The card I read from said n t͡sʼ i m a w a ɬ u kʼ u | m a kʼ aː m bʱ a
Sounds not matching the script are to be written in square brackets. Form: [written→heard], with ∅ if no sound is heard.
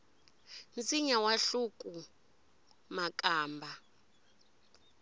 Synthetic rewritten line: n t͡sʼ i [m→ɲ] a w a ɬ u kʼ u | m a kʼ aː m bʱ a